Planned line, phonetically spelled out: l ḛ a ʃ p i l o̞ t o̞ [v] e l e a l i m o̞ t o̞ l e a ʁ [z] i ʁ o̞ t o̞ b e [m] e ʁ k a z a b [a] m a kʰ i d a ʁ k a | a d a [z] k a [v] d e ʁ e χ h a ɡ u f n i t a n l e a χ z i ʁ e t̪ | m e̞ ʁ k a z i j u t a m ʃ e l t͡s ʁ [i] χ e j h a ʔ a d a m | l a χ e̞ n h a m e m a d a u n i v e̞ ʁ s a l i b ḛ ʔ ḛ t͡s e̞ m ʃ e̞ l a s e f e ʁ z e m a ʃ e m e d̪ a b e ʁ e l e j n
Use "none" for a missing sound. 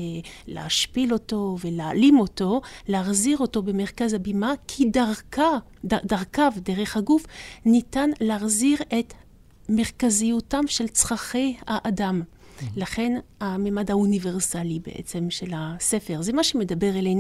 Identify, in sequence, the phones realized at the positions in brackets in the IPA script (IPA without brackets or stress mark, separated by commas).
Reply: v, z, m, i, ʁ, v, a